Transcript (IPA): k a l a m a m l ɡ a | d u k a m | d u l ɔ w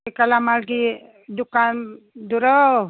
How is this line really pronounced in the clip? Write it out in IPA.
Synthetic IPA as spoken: k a l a m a l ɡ i | d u k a n | d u ɾ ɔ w